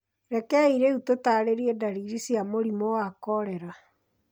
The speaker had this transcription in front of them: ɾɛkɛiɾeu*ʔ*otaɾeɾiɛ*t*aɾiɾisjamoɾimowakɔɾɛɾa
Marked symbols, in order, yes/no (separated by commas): no, no